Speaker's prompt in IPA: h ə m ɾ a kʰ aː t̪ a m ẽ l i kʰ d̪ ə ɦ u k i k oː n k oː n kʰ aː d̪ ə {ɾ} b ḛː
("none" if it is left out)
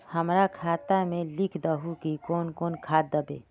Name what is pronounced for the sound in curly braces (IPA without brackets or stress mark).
none